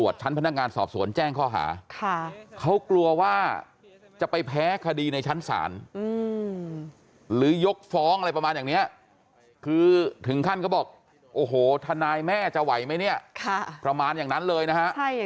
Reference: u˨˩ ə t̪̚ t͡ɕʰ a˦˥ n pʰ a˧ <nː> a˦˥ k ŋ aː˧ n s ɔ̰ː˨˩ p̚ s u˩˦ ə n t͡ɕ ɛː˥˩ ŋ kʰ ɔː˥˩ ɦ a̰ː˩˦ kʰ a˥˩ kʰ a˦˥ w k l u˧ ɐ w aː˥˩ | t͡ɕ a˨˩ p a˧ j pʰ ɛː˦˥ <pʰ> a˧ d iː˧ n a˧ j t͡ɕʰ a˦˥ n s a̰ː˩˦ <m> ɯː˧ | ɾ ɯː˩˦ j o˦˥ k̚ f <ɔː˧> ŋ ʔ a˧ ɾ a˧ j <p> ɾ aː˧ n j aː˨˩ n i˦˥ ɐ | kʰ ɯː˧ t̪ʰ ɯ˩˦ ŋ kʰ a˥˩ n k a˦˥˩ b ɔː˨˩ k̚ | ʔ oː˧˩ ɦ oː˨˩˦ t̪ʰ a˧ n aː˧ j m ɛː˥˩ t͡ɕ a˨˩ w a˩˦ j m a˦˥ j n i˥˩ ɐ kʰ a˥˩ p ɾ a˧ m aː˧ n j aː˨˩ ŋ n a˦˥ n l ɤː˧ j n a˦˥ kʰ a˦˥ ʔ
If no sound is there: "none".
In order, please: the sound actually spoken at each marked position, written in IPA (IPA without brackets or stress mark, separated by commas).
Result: n, kʰ, n, ɔː˦˥, p